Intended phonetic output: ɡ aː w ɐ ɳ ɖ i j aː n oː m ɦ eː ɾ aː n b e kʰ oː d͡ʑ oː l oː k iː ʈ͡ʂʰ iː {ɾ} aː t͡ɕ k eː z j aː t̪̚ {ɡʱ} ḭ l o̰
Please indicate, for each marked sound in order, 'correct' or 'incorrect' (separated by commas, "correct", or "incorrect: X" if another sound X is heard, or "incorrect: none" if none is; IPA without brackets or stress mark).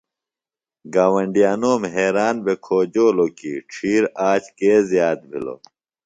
correct, incorrect: bʱ